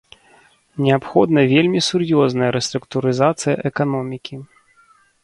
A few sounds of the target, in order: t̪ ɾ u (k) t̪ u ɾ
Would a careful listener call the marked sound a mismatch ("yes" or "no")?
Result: no